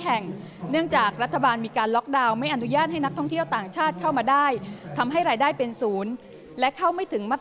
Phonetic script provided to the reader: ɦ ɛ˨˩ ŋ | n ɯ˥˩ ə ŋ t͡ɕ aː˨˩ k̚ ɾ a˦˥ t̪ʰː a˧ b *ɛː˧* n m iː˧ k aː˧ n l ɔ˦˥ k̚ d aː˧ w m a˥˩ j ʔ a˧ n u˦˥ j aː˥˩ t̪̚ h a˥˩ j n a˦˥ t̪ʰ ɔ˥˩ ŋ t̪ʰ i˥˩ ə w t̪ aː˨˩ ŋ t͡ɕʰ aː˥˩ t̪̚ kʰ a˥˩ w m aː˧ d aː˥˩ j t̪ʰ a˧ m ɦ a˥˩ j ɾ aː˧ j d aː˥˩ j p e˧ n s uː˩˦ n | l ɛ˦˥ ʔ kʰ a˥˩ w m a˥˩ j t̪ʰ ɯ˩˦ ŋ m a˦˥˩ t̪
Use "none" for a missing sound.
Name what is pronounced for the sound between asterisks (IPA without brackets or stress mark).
aː˧